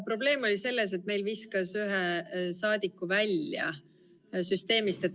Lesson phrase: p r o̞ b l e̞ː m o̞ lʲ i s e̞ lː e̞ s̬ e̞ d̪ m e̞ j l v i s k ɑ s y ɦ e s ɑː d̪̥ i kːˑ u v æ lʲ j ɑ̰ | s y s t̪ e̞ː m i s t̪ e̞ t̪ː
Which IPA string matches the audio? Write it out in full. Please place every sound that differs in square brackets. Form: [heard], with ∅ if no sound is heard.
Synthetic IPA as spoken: p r o̞ b l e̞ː m o̞ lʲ i s e̞ lː e̞ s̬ e̞ [t̪] m e̞ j l v i s k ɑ s y ɦ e s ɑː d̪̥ i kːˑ u v æ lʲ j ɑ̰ | s y s t̪ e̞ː m i s t̪ e̞ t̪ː